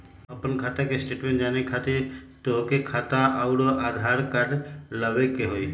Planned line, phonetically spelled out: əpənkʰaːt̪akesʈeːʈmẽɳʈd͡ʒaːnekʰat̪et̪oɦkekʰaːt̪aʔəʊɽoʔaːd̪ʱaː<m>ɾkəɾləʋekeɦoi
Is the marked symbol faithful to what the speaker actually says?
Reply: no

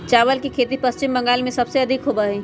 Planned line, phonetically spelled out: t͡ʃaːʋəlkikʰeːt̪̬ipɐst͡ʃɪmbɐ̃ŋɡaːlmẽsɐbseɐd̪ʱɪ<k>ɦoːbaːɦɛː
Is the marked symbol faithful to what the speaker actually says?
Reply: yes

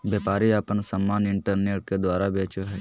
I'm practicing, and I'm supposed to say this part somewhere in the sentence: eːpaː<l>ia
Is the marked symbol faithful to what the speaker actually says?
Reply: no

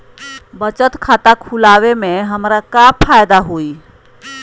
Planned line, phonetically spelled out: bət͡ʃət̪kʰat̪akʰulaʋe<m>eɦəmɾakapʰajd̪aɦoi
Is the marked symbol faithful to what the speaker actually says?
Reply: yes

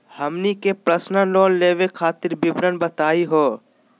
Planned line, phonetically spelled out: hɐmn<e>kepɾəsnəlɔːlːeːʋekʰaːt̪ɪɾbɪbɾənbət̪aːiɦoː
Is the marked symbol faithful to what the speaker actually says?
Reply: no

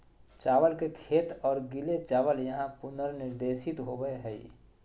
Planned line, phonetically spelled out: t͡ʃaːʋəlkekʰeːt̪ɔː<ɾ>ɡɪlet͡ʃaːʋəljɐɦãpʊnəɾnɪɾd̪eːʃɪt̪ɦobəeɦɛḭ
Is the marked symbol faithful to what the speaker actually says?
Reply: yes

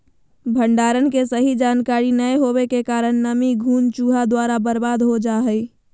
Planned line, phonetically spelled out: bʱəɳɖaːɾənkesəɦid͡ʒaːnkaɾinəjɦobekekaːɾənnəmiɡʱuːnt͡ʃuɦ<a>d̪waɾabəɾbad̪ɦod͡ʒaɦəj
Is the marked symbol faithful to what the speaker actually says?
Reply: yes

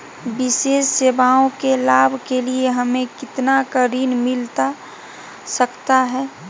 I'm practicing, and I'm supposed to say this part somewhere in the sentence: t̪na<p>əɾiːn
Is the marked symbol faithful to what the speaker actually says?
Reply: no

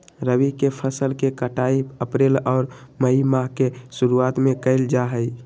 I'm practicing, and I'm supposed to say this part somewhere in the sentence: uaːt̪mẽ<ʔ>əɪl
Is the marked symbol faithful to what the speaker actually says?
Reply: no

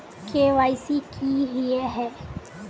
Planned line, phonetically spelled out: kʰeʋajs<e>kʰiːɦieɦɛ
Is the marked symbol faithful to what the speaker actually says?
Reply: no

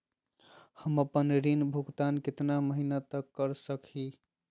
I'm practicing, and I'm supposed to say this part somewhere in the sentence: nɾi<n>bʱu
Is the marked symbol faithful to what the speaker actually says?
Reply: yes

